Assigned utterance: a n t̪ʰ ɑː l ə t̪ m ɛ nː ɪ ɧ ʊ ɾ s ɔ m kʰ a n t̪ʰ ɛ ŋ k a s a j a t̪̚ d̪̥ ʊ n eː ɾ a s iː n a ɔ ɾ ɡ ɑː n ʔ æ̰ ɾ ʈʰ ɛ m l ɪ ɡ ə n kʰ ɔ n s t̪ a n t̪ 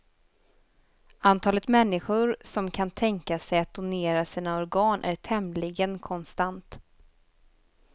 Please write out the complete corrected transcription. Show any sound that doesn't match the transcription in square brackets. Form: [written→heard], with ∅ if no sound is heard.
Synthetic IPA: a n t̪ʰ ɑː l ə t̪ m ɛ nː ɪ ɧ ʊ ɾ s ɔ m kʰ a n t̪ʰ ɛ ŋ k a s [a→ɛ] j a t̪̚ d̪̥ ʊ n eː ɾ a s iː n a ɔ ɾ ɡ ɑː n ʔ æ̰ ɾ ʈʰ ɛ m l ɪ ɡ ə n kʰ ɔ n s t̪ a n t̪